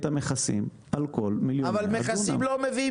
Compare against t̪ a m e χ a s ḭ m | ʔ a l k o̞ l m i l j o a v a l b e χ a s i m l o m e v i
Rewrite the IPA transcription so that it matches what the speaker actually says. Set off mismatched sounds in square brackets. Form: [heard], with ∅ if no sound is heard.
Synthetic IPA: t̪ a m e χ a s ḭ m | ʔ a l k o̞ l m i l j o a v a l [m] e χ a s i m l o m e v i